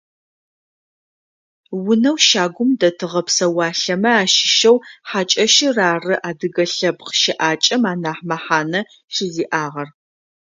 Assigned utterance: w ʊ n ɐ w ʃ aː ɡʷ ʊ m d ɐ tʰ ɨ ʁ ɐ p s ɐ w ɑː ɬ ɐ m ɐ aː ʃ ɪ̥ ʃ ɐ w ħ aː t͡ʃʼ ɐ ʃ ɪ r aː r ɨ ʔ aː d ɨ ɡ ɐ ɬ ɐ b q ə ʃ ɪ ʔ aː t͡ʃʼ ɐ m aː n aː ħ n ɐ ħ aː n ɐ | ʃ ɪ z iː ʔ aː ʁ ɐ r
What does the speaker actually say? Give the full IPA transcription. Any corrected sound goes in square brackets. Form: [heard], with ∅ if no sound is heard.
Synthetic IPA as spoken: w ʊ n ɐ w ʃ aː ɡʷ ʊ m d ɐ tʰ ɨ ʁ ɐ p s ɐ w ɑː ɬ ɐ m ɐ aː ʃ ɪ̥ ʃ ɐ w ħ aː t͡ʃʼ ɐ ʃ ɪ r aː r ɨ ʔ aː d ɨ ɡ ɐ ɬ ɐ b q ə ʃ ɪ ʔ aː t͡ʃʼ ɐ m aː n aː ħ [m] ɐ ħ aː n ɐ | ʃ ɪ z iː ʔ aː ʁ ɐ r